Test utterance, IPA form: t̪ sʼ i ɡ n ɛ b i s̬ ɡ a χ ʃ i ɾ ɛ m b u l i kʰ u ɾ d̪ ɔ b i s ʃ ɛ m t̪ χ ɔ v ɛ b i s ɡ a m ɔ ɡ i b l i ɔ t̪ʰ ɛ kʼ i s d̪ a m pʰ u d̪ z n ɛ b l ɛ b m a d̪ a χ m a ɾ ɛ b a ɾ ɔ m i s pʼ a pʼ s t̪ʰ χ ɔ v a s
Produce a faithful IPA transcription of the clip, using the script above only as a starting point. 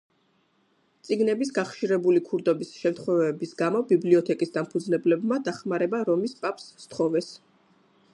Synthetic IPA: t̪ sʼ i ɡ n ɛ b i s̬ ɡ a χ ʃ i ɾ ɛ b u l i kʰ u ɾ d̪ ɔ b i s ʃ ɛ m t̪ χ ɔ v ɛ b i s ɡ a m ɔ b i b l i ɔ t̪ʰ ɛ kʼ i s d̪ a m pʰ u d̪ z n ɛ b l ɛ b m a d̪ a χ m a ɾ ɛ b a ɾ ɔ m i s pʼ a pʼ s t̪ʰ χ ɔ v ɛ s